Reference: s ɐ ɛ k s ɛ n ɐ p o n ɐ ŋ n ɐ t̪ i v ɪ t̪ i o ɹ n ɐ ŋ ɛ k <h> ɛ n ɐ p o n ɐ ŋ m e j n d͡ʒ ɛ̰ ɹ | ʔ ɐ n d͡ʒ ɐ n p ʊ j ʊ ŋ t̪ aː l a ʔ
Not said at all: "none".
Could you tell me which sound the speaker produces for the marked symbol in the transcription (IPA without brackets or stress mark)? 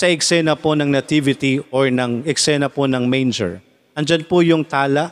s